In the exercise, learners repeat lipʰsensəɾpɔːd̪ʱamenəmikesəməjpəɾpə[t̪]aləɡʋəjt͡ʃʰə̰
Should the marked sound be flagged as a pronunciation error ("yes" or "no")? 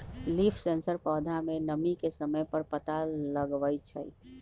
no